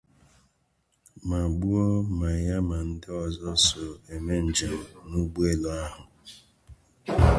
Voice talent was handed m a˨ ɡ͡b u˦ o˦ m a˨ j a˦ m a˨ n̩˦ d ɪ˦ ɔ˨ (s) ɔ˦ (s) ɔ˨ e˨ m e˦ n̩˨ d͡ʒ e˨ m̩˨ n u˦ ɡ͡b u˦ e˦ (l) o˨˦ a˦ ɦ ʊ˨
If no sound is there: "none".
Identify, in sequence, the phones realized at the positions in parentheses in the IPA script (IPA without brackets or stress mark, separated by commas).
z, s, l